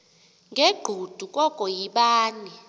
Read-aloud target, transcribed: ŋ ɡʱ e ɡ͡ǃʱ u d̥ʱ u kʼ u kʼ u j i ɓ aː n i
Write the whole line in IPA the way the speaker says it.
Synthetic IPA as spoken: ŋ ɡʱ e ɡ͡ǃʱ u d̥ʱ u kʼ ɔ kʼ ɔ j i ɓ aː n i